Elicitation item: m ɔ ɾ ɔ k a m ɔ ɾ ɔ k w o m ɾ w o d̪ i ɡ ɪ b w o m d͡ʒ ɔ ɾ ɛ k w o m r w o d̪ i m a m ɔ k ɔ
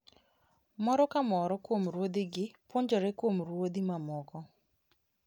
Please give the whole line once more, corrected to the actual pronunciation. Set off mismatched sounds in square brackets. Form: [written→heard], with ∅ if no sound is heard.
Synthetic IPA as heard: m ɔ ɾ ɔ k a m ɔ ɾ ɔ k w o m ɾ w o d̪ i ɡ ɪ [b→p] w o [m→ɲ] d͡ʒ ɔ ɾ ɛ k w o m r w o d̪ i m a m ɔ k ɔ